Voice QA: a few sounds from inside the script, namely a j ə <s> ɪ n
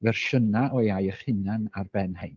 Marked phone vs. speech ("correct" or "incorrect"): incorrect